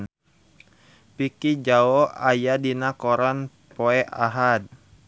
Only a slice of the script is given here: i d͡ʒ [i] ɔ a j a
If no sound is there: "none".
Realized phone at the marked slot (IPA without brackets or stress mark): a